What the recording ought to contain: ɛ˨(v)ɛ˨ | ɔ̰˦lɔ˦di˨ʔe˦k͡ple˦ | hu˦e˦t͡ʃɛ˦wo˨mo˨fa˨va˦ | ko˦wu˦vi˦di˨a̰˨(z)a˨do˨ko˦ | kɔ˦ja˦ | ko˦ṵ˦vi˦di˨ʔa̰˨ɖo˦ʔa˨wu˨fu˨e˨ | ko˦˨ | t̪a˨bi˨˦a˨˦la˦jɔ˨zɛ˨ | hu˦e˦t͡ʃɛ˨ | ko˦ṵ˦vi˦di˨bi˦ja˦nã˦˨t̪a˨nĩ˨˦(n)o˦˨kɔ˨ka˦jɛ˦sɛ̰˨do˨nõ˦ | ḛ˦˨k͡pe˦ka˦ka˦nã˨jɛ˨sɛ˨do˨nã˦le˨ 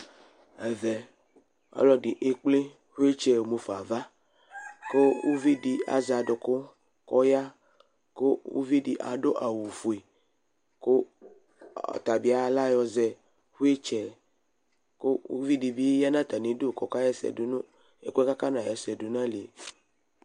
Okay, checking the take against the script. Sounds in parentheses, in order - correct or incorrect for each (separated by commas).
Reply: correct, correct, incorrect